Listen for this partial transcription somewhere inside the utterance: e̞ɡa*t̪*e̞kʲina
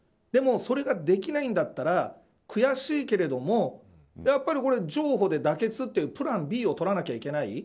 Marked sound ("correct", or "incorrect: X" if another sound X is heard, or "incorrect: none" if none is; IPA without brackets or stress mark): incorrect: d̪